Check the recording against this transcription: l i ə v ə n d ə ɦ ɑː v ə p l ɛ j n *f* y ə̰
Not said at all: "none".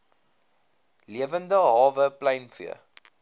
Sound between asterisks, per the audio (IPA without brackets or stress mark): f